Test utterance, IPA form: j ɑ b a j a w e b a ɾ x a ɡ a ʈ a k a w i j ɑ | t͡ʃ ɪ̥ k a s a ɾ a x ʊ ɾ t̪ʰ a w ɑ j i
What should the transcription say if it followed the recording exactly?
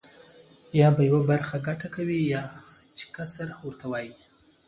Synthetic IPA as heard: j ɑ b a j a w a b a ɾ x a ɡ a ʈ a k a w i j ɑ | t͡ʃ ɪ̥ k a s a ɾ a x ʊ ɾ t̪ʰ a w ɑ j i